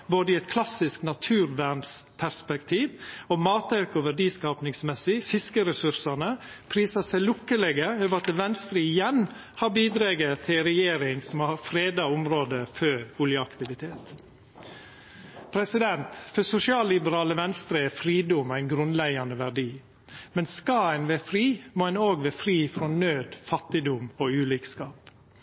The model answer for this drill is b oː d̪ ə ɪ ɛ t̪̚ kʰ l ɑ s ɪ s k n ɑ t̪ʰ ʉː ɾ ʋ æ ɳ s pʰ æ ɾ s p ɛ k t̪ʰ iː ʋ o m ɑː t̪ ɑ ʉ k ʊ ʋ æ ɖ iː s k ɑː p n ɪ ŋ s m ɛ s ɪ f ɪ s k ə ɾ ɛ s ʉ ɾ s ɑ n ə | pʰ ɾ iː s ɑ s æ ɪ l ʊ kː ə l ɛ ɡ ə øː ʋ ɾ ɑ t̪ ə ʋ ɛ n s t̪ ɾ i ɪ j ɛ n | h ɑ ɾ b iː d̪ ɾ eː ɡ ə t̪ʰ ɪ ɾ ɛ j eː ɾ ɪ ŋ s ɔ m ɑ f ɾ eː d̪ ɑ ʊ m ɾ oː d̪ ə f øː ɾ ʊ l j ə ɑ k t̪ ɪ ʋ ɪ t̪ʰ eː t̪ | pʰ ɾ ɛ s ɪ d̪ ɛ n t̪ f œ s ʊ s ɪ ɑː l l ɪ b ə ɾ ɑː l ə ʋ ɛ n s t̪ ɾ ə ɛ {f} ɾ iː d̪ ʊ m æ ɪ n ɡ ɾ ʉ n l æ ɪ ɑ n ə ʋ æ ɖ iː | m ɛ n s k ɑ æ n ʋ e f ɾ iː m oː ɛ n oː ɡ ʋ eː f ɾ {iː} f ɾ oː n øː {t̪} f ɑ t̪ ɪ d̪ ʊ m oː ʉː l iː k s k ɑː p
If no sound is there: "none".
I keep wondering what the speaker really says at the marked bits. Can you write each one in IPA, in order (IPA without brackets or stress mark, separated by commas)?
f, iː, d̪